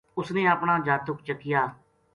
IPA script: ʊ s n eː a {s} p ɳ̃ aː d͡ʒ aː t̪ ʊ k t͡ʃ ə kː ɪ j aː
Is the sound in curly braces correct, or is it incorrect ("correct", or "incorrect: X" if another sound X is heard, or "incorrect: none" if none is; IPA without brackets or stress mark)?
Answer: incorrect: none